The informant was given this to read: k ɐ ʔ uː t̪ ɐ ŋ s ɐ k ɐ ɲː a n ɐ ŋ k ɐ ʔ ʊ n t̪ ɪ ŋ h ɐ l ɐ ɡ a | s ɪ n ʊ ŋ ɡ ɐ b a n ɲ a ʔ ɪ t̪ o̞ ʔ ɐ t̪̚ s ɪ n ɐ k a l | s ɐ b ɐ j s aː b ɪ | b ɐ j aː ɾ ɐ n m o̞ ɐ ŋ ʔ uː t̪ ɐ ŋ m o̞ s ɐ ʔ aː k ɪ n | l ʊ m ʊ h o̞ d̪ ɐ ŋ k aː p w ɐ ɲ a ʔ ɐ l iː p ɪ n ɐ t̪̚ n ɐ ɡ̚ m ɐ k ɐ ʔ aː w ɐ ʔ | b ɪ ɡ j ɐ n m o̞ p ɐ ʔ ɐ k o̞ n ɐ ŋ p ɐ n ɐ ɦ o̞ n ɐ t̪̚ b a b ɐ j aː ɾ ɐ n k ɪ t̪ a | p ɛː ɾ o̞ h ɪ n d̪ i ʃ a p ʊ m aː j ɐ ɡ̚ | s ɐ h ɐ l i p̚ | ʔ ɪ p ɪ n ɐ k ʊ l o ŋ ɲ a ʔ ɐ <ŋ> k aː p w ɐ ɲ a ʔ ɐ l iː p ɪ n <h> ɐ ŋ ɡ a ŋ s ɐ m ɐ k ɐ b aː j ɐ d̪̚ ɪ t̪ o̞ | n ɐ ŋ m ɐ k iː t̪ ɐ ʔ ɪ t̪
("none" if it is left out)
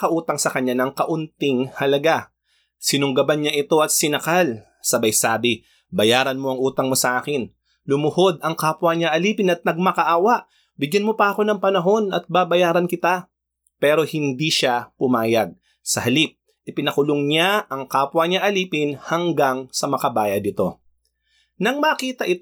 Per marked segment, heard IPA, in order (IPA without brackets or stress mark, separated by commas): ŋ, h